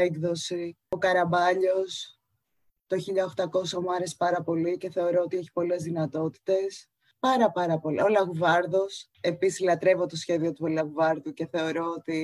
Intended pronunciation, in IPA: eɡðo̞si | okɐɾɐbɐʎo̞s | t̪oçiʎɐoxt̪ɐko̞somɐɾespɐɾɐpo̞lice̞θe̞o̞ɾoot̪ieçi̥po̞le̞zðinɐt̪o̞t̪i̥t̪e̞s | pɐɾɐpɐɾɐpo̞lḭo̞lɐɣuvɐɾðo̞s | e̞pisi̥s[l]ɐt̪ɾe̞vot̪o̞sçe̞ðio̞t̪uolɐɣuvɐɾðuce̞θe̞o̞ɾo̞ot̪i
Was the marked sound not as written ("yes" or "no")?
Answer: no